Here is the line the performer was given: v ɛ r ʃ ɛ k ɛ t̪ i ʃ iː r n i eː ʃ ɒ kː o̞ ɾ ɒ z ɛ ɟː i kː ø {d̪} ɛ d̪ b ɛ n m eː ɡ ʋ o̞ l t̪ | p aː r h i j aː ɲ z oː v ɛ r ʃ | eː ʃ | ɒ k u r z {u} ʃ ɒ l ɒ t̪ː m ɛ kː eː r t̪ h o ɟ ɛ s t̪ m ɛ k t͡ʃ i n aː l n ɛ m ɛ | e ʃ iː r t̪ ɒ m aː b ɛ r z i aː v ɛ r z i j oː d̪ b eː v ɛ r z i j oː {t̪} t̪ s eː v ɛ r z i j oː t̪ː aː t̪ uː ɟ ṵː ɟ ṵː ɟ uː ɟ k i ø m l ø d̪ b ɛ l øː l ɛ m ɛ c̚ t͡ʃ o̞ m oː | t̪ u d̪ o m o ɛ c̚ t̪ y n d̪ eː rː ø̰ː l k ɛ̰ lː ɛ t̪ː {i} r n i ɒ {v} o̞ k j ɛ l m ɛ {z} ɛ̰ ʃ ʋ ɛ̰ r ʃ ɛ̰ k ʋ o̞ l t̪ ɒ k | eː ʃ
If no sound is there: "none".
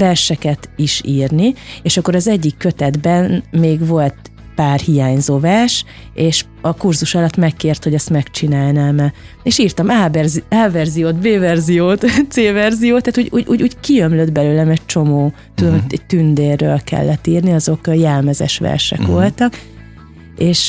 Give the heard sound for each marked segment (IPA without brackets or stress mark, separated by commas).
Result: t̪, u, t̪, iː, z, z